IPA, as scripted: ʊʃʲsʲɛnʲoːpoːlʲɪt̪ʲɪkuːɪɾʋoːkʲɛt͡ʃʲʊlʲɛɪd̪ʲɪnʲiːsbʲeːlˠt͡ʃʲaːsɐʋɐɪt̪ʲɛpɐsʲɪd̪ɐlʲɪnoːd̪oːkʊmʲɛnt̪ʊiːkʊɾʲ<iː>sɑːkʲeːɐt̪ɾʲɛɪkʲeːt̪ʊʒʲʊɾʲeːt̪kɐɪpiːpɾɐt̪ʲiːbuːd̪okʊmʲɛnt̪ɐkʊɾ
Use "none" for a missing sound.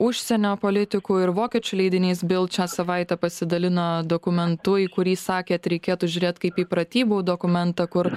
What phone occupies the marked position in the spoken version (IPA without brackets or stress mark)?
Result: iː